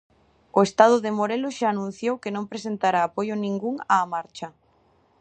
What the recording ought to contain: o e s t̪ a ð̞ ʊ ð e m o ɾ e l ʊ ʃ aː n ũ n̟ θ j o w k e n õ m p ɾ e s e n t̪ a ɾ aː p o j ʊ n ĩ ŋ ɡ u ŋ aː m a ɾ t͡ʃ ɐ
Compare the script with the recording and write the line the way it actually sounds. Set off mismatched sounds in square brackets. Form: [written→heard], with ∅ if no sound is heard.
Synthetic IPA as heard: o e s t̪ a ð̞ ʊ ð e m o ɾ e l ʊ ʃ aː n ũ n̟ θ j o w k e n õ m p ɾ e s e n t̪ a ɾ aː p o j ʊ n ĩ ŋ ɡ u ŋ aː m a ɾ t͡ʃ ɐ